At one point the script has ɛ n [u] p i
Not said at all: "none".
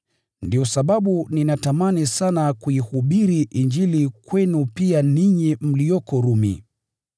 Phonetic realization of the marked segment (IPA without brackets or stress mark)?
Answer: u